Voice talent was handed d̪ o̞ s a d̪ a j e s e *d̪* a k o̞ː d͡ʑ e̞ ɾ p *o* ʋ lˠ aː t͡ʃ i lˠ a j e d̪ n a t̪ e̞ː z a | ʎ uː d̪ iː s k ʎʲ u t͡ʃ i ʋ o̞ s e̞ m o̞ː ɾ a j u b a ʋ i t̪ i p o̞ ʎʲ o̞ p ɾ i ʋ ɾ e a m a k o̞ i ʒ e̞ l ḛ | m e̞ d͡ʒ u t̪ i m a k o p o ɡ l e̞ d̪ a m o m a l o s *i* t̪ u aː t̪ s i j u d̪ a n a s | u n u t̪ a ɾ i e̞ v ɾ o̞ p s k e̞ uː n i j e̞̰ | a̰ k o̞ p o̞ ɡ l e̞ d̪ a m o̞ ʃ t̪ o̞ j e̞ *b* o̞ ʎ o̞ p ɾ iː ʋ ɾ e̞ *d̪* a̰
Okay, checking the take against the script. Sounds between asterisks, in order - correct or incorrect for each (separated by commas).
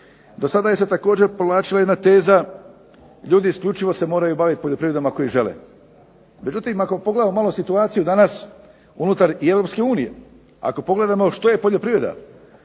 incorrect, correct, correct, incorrect, correct